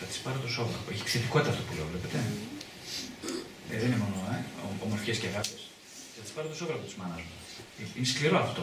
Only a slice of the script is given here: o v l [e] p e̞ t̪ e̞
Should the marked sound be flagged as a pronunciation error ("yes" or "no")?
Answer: no